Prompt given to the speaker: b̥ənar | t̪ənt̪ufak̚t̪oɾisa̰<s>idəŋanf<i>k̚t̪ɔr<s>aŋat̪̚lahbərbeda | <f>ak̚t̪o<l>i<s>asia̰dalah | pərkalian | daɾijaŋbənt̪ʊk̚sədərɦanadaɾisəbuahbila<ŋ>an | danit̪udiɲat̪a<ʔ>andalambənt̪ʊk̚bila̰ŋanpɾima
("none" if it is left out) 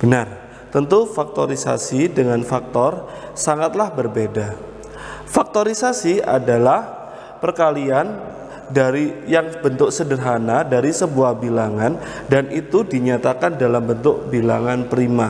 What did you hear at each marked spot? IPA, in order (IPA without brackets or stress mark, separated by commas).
s, a, s, f, ɾ, s, ŋ, k